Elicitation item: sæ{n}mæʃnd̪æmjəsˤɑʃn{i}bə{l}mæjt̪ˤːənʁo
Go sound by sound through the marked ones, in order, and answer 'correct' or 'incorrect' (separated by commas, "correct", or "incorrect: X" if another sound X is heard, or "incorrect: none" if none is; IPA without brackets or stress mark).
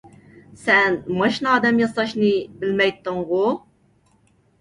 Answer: correct, correct, correct